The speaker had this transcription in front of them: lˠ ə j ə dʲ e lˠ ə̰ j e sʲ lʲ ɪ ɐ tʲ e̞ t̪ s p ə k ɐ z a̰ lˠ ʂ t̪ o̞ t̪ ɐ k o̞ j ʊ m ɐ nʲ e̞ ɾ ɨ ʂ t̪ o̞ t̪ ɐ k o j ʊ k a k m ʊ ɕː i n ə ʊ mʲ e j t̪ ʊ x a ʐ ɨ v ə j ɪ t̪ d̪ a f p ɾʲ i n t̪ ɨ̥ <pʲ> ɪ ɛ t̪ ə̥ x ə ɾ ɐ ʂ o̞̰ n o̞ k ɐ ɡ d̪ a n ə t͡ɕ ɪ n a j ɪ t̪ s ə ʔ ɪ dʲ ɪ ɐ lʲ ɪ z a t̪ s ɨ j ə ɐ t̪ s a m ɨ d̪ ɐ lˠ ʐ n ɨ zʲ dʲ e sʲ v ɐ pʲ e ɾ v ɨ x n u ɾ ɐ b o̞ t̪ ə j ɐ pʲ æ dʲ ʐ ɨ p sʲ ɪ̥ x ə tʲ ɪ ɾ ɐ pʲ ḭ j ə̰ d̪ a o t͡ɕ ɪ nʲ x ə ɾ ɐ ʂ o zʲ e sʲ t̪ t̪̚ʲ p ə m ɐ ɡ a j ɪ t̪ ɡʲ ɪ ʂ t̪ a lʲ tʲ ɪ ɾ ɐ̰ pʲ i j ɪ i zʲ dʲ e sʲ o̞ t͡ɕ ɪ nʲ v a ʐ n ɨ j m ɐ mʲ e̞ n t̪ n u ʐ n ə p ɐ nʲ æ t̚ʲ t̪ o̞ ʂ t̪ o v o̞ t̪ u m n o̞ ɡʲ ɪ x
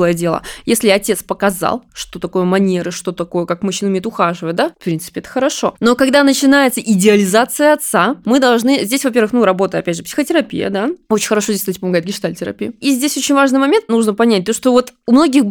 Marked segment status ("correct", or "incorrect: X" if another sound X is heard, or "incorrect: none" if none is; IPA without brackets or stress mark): correct